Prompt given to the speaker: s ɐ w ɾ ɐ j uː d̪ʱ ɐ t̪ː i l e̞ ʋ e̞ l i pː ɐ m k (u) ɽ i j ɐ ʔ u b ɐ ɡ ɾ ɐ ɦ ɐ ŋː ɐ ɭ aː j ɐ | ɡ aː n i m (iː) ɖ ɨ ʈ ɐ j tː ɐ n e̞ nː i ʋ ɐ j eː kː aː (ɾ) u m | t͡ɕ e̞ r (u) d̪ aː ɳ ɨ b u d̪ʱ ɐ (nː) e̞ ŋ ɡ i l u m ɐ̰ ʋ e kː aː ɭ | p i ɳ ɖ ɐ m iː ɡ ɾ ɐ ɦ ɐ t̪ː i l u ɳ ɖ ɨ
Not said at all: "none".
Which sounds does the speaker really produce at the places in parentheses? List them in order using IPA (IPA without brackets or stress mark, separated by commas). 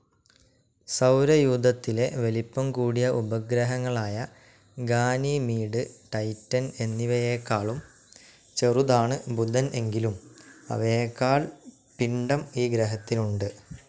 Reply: uː, iː, ɭ, u, n